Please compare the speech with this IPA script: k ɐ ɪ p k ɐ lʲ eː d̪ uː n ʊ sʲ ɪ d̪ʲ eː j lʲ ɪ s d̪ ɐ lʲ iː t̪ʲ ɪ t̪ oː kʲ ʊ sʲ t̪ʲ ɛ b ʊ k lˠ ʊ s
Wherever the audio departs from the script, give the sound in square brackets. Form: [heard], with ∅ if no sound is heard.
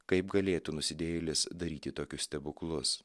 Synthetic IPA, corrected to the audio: k ɐ ɪ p [ɡ] ɐ lʲ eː [t̪] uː n ʊ sʲ ɪ d̪ʲ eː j lʲ ɪ s d̪ ɐ [ɾʲ] iː t̪ʲ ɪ t̪ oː kʲ ʊ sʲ t̪ʲ ɛ b ʊ k lˠ ʊ s